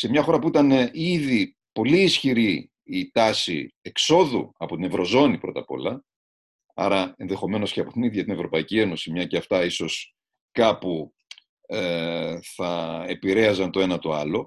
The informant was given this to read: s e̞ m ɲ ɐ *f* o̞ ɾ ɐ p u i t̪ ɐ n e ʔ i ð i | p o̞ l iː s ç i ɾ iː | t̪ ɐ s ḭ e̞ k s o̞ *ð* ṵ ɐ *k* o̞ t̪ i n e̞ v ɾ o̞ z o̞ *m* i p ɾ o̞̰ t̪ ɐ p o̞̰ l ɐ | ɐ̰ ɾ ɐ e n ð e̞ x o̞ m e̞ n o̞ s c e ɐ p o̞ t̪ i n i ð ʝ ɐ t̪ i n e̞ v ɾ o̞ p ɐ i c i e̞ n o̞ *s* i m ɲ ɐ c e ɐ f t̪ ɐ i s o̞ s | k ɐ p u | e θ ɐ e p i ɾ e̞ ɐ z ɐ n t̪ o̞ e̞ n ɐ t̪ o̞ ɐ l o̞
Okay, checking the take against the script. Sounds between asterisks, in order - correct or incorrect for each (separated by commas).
incorrect, correct, incorrect, incorrect, correct